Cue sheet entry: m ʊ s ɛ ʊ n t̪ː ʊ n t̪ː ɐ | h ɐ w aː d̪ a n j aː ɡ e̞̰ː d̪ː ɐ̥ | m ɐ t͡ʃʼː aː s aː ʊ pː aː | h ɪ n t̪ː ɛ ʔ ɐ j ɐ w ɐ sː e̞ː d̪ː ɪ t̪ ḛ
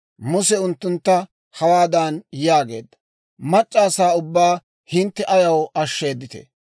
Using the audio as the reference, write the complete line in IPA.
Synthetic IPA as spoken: m ʊ s ɛ ʊ n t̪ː ʊ n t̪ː ɐ | h ɐ w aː d̪ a n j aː ɡ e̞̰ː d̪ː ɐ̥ | m ɐ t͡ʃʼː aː s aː ʊ bː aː | h ɪ n t̪ː ɛ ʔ ɐ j ɐ w ɐ ʃː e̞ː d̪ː ɪ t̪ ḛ